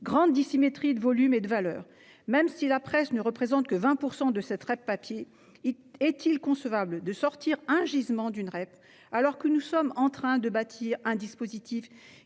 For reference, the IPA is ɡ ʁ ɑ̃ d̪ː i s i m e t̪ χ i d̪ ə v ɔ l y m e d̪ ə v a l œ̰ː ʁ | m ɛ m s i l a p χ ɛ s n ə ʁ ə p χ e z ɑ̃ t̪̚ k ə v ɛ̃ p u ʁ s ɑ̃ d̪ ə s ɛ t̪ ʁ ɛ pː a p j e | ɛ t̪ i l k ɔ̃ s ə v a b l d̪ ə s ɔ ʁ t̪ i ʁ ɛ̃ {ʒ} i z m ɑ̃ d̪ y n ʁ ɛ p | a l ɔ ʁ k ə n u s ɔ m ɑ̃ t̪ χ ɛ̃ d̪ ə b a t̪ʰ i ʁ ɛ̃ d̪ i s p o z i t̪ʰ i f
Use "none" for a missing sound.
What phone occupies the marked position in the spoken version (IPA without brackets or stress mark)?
ʒ